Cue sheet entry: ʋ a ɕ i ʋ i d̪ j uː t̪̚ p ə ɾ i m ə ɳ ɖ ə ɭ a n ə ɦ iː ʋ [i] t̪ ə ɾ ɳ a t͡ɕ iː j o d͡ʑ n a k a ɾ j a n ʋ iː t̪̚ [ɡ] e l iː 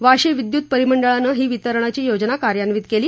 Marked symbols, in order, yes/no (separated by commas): yes, no